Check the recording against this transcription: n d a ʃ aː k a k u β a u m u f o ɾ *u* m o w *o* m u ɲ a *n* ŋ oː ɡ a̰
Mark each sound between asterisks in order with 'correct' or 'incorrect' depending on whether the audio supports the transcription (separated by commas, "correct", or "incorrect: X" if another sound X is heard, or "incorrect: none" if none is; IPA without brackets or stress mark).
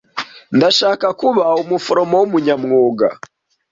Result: incorrect: o, incorrect: u, incorrect: m